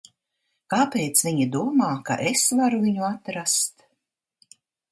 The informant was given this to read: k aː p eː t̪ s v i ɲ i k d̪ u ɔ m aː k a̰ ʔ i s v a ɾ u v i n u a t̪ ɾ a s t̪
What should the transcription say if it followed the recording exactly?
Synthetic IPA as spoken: k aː p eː t̪ s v i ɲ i d̪ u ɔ m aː k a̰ ʔ e s v a ɾ u v i ɲ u a t̪ ɾ a s t̪